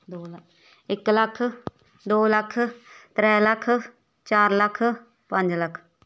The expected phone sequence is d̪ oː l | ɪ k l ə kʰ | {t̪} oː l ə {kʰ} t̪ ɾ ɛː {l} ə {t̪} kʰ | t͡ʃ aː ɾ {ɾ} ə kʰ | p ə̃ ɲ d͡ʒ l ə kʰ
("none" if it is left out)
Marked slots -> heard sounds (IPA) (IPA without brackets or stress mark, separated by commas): d̪, kʰ, l, none, l